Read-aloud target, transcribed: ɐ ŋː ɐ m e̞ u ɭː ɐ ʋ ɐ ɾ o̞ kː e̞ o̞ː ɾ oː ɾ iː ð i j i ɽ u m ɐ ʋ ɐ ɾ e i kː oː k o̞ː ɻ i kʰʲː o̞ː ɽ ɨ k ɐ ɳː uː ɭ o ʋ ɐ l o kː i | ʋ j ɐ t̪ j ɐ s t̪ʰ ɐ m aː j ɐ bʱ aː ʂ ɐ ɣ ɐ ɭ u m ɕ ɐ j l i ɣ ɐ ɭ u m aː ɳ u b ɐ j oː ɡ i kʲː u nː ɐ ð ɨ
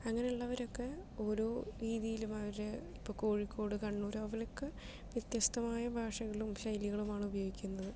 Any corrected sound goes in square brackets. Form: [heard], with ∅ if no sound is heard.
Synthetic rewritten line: ɐ ŋː ɐ [n] e̞ u ɭː ɐ ʋ ɐ ɾ o̞ kː e̞ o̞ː ɾ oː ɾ iː ð i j i [l] u m ɐ ʋ ɐ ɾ e i [pː] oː k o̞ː ɻ i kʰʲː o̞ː ɽ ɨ k ɐ ɳː uː [ɾ] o ʋ ɐ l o kː [e] | ʋ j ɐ t̪ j ɐ s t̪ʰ ɐ m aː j ɐ bʱ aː ʂ ɐ ɣ ɐ ɭ u m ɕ ɐ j l i ɣ ɐ ɭ u m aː ɳ u b ɐ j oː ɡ i kʲː u nː ɐ ð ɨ